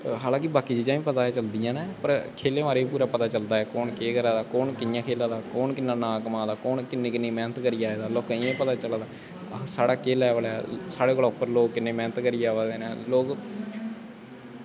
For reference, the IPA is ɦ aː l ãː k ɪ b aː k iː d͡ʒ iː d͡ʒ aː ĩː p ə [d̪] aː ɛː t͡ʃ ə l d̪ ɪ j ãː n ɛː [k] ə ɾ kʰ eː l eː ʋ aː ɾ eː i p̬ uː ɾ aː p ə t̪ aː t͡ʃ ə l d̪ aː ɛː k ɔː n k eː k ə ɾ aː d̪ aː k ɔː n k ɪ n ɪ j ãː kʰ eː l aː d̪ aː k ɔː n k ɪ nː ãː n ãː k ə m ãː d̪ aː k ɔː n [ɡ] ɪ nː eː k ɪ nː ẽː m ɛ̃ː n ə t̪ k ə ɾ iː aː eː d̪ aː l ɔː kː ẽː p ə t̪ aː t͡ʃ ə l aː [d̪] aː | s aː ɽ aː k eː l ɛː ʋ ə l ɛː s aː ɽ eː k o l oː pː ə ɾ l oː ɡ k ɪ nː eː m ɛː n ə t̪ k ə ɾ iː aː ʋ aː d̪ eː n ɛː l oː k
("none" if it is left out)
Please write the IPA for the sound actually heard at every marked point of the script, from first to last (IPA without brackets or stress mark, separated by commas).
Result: t̪, p, k, d̪